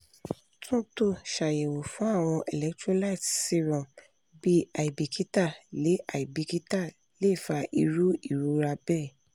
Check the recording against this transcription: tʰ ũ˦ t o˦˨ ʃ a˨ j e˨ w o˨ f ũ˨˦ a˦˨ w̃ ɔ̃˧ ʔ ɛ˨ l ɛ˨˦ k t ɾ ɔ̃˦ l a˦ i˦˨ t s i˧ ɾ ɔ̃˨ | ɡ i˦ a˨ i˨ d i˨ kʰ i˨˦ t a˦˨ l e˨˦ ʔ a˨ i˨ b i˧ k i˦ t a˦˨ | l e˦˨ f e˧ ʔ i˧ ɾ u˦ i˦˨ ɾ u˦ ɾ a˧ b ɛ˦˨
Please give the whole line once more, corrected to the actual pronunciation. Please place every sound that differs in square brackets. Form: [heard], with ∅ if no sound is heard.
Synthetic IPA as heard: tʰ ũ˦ t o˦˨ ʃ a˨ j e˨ w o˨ f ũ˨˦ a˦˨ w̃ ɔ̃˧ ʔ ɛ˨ l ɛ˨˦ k t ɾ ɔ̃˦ l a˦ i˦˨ t s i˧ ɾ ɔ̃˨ | [b] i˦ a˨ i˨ [b] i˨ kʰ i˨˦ t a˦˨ l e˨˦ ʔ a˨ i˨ b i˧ k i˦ t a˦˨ | l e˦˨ f [a˧] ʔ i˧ ɾ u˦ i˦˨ ɾ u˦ ɾ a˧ b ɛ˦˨